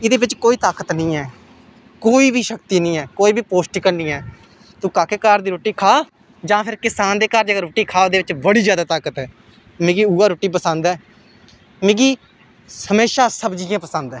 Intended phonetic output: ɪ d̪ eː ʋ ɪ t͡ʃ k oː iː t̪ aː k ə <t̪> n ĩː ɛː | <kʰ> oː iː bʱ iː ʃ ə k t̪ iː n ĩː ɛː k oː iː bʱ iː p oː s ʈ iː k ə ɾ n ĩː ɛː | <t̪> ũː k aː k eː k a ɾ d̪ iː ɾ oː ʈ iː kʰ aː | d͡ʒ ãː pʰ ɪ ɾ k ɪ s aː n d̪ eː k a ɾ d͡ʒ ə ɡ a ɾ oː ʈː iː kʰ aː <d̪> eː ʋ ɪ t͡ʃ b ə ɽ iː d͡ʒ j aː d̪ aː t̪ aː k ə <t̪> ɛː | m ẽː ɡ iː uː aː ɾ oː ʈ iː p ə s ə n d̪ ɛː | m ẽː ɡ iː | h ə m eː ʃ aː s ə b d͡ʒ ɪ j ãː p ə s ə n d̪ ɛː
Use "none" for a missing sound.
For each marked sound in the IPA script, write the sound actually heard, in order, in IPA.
t̪, k, t̪, d̪, t̪

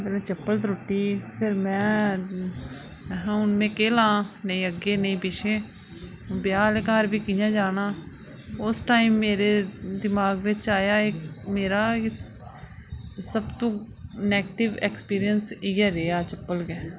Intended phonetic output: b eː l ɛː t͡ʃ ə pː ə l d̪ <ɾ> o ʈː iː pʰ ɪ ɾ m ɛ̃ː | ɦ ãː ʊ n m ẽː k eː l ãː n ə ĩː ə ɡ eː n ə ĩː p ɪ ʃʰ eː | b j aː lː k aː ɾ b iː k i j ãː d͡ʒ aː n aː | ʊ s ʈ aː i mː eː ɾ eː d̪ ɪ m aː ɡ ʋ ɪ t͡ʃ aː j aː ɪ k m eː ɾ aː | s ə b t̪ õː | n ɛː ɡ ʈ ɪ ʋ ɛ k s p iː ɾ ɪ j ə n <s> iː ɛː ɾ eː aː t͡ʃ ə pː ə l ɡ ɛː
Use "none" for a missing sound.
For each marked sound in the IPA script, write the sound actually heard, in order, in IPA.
ɾ, s

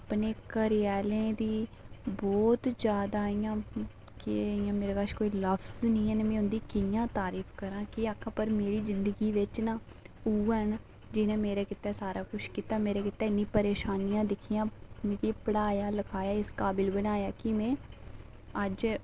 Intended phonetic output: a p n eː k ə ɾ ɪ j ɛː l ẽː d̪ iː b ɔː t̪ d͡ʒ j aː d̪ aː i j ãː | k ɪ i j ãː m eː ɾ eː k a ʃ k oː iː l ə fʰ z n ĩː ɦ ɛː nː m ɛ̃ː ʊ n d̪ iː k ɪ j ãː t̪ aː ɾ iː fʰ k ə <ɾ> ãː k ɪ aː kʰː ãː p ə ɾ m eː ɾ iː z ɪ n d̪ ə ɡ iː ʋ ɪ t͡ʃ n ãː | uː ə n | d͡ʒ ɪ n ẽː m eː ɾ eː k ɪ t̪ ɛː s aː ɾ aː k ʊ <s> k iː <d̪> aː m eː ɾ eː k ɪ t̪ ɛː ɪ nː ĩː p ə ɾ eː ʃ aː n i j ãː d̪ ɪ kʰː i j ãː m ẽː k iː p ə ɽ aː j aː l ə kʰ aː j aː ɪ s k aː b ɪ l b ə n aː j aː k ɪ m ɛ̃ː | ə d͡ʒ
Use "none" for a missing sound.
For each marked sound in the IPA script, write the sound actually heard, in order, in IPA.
ɾ, ʃ, t̪

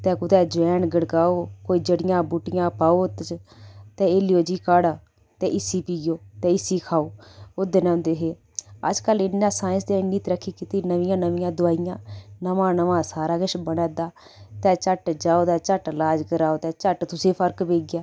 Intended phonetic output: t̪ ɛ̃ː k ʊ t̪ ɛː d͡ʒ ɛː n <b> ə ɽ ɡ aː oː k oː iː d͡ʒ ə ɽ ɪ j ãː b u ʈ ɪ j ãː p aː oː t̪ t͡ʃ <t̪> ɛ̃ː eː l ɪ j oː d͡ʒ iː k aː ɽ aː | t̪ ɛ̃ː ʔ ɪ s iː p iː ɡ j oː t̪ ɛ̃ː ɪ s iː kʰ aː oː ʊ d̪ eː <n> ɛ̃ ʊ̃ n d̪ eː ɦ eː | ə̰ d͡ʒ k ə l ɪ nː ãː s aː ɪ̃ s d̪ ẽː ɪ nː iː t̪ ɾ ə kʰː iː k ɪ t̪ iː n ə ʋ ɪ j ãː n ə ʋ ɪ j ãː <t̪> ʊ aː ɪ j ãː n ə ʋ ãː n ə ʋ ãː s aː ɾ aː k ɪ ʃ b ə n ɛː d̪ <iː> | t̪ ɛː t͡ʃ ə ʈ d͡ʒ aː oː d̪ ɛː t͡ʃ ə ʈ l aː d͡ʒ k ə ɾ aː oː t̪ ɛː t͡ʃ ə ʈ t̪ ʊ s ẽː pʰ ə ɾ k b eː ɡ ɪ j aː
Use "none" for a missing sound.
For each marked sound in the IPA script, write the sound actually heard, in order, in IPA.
ɡ, t̪, n, d̪, aː

